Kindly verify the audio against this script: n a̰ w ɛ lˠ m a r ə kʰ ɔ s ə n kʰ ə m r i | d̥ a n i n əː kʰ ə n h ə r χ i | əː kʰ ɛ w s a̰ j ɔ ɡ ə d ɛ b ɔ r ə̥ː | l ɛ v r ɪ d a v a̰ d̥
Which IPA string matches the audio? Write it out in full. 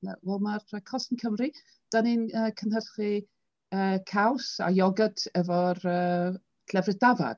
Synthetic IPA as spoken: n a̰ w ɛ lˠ m a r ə kʰ ɔ s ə n kʰ ə m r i | d̥ a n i n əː kʰ ə n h ə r χ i | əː kʰ a w s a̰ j ɔ ɡ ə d ɛ v ɔ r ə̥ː | l ɛ v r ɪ d a v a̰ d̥

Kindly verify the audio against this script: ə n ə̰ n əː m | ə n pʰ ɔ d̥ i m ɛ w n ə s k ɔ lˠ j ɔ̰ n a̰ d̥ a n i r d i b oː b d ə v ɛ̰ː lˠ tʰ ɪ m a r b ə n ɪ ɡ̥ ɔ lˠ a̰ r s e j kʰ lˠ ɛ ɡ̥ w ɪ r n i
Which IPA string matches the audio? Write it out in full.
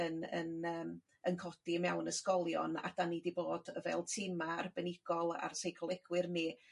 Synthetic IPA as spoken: ə n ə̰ n əː m | ə n kʰ ɔ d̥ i m ɛ w n ə s k ɔ lˠ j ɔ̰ n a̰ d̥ a n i d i b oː d ə v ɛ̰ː lˠ tʰ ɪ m a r b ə n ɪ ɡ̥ ɔ lˠ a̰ r s e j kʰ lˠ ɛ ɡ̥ w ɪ r n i

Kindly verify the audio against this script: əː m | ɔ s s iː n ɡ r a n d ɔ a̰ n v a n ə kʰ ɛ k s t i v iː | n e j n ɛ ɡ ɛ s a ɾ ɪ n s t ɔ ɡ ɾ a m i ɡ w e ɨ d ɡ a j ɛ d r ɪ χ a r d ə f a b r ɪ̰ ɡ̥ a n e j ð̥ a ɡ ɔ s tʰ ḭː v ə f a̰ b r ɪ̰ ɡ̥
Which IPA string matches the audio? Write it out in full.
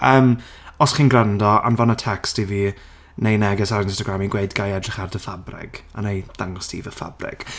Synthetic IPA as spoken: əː m | ɔ s χ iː n ɡ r a n d ɔ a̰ n v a n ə tʰ ɛ k s t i v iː | n e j n ɛ ɡ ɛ s a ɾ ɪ n s t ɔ ɡ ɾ a m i ɡ w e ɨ d ɡ a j ɛ d r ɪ χ a r d ə f a b r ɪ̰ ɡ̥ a n e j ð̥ a ŋ ɔ s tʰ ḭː v ə f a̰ b r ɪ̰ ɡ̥

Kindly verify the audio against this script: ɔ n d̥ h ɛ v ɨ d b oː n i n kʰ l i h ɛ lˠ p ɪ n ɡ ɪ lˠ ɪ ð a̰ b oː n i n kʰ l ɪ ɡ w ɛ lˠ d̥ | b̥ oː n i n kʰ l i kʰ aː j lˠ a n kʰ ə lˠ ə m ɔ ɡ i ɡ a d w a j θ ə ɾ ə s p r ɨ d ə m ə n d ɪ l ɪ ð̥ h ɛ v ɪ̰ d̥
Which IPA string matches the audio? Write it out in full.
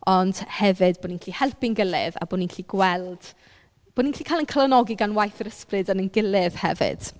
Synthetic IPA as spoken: ɔ n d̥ h ɛ v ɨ d b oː n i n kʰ l i h ɛ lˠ p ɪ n ɡ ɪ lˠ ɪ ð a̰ b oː n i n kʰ l i ɡ w ɛ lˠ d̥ | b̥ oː n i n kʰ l i kʰ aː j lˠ ə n kʰ ə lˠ ə n ɔ ɡ i ɡ a n w a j θ ə ɾ ə s p r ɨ d ə n ə n ɡ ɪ l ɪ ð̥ h ɛ v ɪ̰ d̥

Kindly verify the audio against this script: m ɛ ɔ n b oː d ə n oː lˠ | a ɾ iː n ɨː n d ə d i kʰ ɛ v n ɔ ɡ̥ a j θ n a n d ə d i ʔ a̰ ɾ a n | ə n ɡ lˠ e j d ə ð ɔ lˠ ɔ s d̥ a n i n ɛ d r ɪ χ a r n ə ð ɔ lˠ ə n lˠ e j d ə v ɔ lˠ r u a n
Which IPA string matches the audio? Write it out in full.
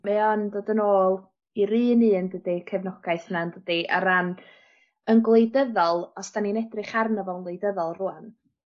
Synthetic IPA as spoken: m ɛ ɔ n d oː d ə n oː lˠ | i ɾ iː n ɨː n d ə d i kʰ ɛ v n ɔ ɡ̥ a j θ n a n d ə d i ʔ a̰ ɾ a n | ə n ɡ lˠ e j d ə ð ɔ lˠ ɔ s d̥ a n i n ɛ d r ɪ χ a r n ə v ɔ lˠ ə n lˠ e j d ə ð ɔ lˠ r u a n

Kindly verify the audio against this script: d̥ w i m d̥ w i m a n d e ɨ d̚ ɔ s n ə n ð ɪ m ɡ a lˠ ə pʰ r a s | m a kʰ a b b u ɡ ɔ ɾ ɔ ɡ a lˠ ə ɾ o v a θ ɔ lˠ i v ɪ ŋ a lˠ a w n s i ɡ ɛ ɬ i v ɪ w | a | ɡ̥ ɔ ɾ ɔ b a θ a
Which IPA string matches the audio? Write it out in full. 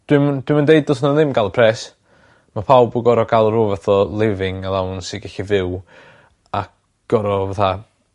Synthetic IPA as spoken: d̥ w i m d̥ w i m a n d e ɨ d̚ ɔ s n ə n ð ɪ m ɡ a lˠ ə pʰ r ɛ s | m a pʰ a w b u ɡ ɔ ɾ ɔ ɡ a lˠ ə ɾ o v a θ ɔ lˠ ɪ v ɪ ŋ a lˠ a w n s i ɡ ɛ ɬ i v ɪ w | a | ɡ̥ ɔ ɾ ɔ v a θ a

